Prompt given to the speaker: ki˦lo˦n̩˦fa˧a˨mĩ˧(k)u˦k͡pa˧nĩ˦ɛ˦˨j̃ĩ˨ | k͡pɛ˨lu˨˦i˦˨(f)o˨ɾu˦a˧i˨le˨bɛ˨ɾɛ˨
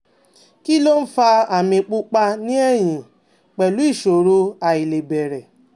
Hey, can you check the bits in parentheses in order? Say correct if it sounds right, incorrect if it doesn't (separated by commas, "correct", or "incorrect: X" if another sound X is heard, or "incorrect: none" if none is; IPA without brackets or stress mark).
incorrect: k͡p, incorrect: ʃ